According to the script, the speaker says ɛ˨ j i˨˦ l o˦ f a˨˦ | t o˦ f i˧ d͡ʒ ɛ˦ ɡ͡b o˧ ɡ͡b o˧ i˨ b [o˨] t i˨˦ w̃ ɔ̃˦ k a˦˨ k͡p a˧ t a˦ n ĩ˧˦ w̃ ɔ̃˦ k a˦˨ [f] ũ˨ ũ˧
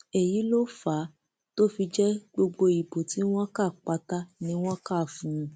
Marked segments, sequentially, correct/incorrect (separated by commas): correct, correct